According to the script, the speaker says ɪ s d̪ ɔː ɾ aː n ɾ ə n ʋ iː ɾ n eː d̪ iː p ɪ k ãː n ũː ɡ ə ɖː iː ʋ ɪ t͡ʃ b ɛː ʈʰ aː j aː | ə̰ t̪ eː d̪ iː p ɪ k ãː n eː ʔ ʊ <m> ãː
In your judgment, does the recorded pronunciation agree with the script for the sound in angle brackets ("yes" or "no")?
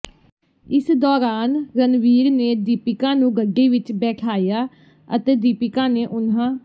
no